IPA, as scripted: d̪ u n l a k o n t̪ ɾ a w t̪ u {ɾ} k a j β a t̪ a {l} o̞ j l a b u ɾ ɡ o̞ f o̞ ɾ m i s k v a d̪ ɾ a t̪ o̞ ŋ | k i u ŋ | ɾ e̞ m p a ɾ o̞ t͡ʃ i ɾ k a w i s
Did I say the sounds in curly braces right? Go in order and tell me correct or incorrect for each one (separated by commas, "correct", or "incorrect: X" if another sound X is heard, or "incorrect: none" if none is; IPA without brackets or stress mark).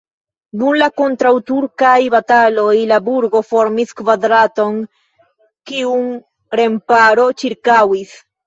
correct, correct